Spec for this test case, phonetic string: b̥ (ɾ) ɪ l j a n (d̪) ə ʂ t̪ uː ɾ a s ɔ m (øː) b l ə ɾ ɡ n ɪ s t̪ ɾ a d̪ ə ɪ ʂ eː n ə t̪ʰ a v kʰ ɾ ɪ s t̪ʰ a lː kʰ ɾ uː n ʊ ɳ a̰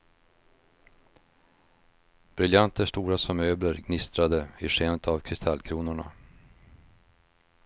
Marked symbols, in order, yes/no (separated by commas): yes, no, yes